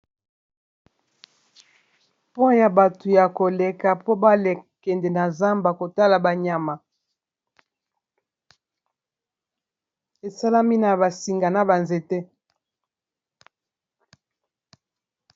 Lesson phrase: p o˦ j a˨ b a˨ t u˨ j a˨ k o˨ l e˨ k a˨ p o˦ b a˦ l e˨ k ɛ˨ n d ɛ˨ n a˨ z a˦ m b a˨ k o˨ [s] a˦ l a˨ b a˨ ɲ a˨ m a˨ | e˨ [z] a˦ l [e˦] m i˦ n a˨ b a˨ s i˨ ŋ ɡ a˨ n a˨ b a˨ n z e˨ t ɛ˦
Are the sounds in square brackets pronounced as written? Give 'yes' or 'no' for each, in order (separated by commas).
no, no, no